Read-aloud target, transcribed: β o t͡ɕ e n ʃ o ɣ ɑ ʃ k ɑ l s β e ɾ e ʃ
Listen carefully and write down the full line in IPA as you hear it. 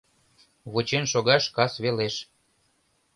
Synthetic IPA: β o t͡ɕ e n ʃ o ɣ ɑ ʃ k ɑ s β e l e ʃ